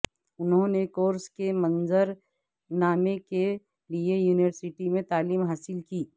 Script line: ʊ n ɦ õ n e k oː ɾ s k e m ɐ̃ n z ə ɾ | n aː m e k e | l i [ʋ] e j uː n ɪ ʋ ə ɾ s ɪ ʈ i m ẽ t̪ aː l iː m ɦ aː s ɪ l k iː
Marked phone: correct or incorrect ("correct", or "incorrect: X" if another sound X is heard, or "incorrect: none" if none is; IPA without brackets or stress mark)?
incorrect: none